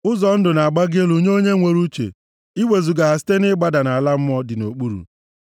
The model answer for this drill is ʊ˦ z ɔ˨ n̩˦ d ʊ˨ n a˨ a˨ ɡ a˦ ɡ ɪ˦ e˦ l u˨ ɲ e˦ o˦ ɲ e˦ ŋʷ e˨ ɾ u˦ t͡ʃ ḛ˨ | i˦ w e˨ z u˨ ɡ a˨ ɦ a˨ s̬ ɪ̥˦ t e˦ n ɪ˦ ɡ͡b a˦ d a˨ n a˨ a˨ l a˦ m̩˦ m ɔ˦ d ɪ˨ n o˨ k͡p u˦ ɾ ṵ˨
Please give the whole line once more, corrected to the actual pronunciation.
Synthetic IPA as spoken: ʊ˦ z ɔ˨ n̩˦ d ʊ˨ n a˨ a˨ ɡ͡b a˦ ɡ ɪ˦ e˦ l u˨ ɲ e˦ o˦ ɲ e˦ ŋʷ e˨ ɾ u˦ t͡ʃ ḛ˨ | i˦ w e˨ z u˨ ɡ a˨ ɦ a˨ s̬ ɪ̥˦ t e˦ n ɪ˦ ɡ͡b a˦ d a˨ n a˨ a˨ l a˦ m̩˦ m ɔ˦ d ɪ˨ n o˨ k͡p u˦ ɾ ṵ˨